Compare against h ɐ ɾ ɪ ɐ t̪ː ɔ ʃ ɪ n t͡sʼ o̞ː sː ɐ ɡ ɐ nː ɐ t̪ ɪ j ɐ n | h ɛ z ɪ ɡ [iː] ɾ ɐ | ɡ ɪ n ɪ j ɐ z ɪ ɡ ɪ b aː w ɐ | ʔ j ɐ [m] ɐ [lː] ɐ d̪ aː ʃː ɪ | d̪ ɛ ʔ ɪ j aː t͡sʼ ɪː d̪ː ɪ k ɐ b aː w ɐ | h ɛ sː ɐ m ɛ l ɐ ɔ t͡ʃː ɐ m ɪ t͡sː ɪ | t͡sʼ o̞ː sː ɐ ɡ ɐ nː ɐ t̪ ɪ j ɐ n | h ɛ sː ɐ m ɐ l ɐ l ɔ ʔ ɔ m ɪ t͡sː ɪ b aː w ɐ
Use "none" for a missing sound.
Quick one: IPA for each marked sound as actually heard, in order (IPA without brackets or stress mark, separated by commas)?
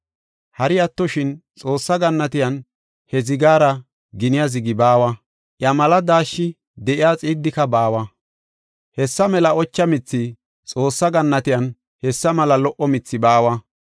aː, m, l